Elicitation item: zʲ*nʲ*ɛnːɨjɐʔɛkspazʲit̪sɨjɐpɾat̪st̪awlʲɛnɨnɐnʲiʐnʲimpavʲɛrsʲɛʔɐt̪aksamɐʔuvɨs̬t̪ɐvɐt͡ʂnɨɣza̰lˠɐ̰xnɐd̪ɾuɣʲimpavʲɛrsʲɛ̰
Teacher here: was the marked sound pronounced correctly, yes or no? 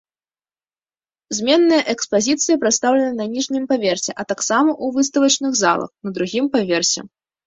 no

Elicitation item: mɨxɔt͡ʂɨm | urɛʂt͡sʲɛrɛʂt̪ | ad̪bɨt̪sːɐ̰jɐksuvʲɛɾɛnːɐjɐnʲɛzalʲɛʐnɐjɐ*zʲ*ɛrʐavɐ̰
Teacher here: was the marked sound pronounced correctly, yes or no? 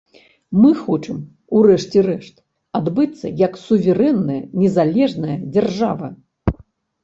no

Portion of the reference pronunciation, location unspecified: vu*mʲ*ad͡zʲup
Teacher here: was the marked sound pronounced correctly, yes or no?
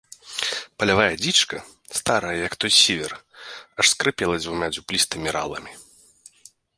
yes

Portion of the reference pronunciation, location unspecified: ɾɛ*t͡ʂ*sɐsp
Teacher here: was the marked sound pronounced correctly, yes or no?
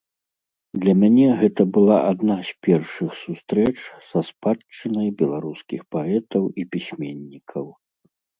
yes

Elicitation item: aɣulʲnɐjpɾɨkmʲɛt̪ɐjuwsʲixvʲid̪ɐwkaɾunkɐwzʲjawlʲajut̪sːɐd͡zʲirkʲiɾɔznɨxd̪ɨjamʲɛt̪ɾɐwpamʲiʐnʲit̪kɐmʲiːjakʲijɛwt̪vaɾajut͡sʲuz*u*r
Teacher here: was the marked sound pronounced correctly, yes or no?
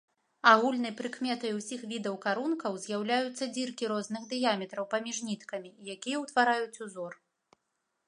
no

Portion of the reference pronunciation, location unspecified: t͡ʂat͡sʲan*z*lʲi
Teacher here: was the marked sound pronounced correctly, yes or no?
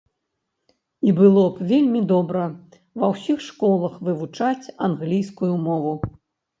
no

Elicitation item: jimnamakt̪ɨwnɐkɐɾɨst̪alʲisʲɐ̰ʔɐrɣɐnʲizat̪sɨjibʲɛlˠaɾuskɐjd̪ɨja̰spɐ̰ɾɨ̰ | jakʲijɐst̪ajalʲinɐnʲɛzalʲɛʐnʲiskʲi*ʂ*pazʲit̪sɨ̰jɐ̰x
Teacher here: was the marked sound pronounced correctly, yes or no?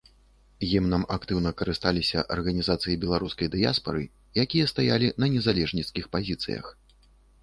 no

